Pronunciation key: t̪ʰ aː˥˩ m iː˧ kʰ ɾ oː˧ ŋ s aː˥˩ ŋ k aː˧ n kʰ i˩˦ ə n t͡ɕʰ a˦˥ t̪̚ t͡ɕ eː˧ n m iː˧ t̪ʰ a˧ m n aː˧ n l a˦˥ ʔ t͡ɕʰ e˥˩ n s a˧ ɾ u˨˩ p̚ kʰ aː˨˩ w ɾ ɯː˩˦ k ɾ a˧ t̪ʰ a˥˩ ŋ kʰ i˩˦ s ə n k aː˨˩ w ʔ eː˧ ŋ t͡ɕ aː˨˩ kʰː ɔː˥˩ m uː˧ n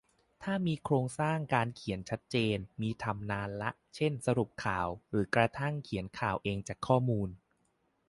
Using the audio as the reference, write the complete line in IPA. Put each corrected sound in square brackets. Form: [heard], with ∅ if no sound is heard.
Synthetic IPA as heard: t̪ʰ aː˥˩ m iː˧ kʰ ɾ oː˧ ŋ s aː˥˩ ŋ k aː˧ n kʰ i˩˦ ə n t͡ɕʰ a˦˥ t̪̚ t͡ɕ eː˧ n m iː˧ t̪ʰ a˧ m n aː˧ n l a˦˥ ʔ t͡ɕʰ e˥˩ n s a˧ ɾ u˨˩ p̚ kʰ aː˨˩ w ɾ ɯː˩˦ k ɾ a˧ t̪ʰ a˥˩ ŋ kʰ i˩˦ [∅] ə n [kʰ] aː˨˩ w ʔ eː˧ ŋ t͡ɕ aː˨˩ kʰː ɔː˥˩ m uː˧ n